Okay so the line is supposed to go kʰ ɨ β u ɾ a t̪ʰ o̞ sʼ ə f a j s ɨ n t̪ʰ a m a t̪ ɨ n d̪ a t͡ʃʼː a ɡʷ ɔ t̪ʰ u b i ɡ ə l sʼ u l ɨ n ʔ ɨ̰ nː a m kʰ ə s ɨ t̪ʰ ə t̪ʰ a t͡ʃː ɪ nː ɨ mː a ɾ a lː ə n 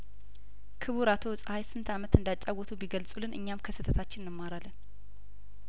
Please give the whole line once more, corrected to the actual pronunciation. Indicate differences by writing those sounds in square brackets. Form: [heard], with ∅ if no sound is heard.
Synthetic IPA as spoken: kʰ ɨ β u ɾ a t̪ʰ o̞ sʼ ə [h] a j s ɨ n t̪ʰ a m [ə] t̪ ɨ n d̪ a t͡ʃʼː a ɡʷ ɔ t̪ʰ u b i ɡ ə l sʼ u l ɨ n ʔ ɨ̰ [ɲː] a m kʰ ə s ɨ t̪ʰ ə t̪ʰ a t͡ʃː ɪ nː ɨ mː a ɾ a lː ə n